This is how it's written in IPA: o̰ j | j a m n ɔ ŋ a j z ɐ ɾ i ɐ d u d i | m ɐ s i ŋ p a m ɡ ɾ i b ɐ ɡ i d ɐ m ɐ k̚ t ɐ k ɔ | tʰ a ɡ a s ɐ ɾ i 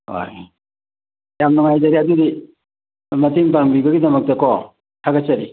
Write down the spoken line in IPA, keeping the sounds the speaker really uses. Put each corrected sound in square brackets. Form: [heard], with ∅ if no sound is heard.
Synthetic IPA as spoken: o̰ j | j a m n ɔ ŋ a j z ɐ ɾ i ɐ d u d i | m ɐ [t] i ŋ p a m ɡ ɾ i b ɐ ɡ i d ɐ m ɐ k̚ t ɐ k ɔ | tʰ a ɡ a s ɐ ɾ i